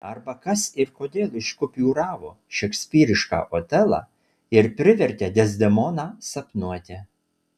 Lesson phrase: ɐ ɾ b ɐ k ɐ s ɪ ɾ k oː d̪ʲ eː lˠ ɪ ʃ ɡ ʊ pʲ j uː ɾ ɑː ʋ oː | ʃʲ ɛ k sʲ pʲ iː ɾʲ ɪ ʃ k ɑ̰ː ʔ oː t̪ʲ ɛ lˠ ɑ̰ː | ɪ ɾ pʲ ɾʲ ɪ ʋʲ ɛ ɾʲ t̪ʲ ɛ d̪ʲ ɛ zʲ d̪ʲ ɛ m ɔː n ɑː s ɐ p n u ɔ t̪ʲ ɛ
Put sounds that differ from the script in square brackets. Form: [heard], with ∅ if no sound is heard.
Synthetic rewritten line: ɐ ɾ b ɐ k ɐ s ɪ ɾ k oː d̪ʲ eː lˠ ɪ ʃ [k] ʊ pʲ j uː ɾ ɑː ʋ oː | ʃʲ ɛ k sʲ pʲ iː ɾʲ ɪ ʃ k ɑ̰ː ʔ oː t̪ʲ ɛ lˠ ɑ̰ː | ɪ ɾ pʲ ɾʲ ɪ ʋʲ ɛ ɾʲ t̪ʲ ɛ d̪ʲ ɛ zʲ d̪ʲ ɛ m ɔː n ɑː s ɐ p n u ɔ t̪ʲ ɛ